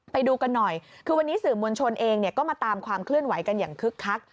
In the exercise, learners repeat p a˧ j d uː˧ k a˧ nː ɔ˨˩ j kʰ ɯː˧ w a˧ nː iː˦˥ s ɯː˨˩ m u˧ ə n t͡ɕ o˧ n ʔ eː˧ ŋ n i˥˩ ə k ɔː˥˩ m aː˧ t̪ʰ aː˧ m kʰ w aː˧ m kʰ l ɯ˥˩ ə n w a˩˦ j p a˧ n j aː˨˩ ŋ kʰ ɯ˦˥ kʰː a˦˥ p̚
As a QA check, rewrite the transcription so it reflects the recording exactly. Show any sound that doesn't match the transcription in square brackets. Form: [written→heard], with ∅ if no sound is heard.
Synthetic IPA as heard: p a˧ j d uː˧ k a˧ nː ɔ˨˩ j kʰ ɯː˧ w a˧ nː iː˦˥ s ɯː˨˩ m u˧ ə n [t͡ɕ→t͡ɕʰ] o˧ n ʔ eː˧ ŋ n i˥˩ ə k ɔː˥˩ m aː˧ [t̪ʰ→t̪] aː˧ m kʰ w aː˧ m kʰ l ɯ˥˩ ə n w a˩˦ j [p→k] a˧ n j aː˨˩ ŋ kʰ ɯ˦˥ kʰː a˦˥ [p̚→k̚]